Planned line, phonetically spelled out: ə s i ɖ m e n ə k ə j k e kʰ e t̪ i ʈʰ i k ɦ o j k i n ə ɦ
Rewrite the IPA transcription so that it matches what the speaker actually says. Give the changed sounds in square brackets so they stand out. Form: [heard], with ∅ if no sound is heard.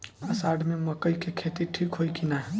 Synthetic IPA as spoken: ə s [a] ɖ m e [m] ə k ə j k e kʰ e t̪ i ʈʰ i k ɦ o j k i n [a] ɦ